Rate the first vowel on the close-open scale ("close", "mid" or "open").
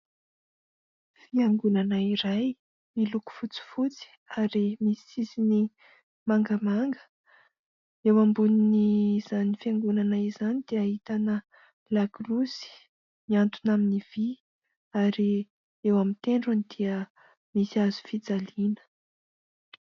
close